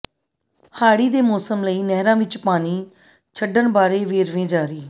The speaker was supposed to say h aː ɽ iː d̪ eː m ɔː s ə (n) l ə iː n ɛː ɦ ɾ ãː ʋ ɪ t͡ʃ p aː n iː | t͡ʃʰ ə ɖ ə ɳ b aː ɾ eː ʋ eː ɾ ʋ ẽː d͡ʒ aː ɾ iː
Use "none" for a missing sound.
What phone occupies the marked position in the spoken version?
m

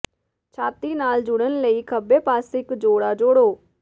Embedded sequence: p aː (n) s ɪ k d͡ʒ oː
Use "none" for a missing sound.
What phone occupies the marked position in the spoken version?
none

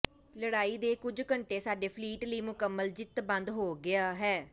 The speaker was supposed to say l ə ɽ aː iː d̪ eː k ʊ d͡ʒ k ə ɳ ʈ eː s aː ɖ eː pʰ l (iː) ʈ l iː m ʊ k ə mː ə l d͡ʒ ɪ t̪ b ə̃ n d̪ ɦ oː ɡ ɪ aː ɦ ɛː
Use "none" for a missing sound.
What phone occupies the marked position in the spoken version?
iː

